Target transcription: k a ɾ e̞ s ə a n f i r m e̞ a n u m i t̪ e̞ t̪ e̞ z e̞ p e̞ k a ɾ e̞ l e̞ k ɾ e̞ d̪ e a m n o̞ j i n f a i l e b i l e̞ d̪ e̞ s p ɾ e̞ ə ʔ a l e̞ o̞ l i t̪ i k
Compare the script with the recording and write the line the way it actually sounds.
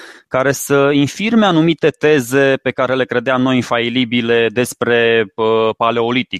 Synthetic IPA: k a ɾ e̞ s ə i n f i r m e̞ a n u m i t̪ e̞ t̪ e̞ z e̞ p e̞ k a ɾ e̞ l e̞ k ɾ e̞ d̪ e a m n o̞ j i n f a i l i b i l e̞ d̪ e̞ s p ɾ e̞ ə p a l e̞ o̞ l i t̪ i k